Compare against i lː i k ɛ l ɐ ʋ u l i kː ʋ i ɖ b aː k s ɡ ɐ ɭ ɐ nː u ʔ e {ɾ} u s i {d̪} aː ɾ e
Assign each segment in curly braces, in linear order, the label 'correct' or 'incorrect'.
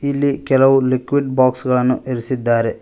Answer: correct, incorrect

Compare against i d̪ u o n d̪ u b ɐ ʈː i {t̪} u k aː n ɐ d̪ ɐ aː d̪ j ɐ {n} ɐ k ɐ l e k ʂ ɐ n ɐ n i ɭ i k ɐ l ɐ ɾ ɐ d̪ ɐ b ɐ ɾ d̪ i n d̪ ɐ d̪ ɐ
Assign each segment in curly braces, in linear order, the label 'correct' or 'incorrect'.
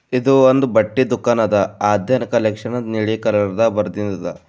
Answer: incorrect, correct

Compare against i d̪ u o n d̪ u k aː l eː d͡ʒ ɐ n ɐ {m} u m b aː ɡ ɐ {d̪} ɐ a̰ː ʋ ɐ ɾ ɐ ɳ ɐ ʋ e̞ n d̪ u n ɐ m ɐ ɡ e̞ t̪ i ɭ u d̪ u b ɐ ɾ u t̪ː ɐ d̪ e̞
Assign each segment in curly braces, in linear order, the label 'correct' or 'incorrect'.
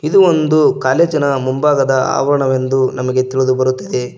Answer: correct, correct

